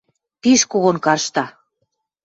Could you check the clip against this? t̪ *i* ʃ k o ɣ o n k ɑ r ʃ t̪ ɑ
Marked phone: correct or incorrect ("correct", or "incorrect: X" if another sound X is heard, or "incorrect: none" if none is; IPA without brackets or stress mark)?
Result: correct